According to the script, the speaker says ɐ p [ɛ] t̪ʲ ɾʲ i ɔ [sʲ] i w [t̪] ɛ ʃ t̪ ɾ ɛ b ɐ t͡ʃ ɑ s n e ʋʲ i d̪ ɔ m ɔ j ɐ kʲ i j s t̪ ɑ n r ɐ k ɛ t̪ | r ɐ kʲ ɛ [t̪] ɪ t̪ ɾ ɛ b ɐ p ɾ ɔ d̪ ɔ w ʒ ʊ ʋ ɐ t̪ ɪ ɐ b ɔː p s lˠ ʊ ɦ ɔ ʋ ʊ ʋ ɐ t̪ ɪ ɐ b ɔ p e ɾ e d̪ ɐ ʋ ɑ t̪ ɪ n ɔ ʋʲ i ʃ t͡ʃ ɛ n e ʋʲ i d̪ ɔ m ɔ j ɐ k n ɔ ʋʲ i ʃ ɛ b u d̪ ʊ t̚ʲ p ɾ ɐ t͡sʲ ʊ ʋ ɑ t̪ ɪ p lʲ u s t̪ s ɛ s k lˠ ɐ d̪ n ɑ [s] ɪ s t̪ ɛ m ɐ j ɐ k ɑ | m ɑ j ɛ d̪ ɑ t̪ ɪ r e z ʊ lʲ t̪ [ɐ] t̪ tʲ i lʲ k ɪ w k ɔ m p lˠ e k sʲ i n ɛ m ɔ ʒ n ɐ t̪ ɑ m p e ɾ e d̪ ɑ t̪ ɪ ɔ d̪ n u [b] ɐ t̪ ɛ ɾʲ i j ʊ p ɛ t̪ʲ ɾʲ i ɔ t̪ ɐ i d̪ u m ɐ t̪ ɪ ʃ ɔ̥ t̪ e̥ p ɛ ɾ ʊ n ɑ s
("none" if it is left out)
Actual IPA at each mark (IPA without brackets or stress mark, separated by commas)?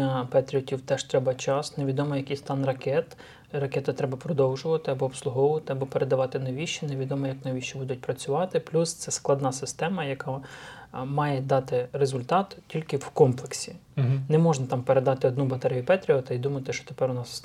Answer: ɛ, tʲ, t̪, t̪, s, ɑ, b